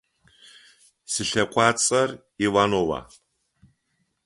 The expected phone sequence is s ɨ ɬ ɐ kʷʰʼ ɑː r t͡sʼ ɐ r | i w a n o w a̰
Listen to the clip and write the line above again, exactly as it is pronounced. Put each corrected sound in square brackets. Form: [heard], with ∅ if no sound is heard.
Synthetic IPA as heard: s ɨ ɬ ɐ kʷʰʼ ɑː [∅] t͡sʼ ɐ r | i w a n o w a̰